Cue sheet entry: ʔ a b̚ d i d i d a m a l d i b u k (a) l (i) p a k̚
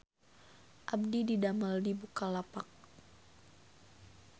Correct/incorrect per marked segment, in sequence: correct, incorrect

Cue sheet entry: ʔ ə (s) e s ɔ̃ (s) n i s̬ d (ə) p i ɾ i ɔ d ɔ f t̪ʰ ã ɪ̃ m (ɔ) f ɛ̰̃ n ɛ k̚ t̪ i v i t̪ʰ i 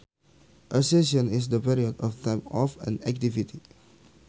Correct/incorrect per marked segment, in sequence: correct, incorrect, correct, correct

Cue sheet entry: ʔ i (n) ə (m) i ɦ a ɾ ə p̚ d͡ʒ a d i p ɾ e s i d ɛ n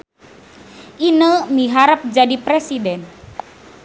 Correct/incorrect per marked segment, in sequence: correct, correct

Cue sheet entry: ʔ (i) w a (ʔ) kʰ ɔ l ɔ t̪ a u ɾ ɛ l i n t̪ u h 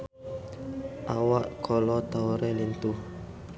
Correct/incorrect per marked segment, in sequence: incorrect, correct

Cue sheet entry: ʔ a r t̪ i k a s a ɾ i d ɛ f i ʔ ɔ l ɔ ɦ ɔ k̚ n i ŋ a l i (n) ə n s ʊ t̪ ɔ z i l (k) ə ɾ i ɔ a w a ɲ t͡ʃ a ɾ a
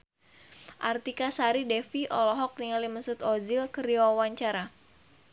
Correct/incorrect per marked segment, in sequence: incorrect, correct

